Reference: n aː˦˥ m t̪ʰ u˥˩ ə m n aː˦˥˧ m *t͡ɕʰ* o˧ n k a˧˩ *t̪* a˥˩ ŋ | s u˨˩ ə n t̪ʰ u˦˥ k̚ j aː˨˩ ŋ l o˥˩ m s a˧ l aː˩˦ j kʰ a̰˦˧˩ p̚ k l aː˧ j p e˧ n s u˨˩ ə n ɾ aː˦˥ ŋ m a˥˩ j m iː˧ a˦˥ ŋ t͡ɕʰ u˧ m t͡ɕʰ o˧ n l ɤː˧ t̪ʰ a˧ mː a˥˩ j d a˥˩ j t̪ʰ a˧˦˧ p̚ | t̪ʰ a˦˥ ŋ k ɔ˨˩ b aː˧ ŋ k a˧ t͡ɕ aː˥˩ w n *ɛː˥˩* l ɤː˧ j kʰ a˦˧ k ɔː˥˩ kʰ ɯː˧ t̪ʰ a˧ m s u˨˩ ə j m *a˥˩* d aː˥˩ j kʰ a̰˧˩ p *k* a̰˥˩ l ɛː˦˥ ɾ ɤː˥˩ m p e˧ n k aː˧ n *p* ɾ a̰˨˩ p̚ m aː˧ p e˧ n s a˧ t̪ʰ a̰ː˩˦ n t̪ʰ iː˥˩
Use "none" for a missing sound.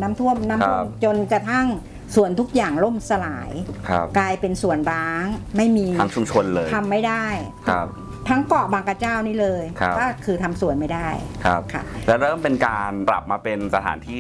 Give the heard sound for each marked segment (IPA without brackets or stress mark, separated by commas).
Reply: t͡ɕ, t̪ʰ, iː˥˩, a˥˩, kʰ, p